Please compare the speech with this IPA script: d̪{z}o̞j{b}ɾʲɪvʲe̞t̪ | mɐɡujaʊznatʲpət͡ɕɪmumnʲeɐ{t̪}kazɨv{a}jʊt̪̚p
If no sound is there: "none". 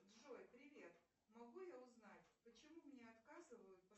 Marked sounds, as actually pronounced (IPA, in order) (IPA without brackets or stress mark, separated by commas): ʐ, p, t̪, ə